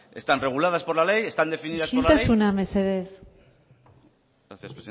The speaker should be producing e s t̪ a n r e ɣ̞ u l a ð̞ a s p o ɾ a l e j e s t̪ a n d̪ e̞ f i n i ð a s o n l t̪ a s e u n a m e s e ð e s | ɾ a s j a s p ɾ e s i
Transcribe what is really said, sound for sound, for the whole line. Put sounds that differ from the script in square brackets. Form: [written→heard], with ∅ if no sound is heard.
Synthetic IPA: e s t̪ a n r e ɣ̞ u l a ð̞ a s p o [ɾ→l] a l e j e s t̪ a n d̪ e̞ f i n i ð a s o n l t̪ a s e u n a m e s e ð e [s→θ] | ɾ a [s→θ] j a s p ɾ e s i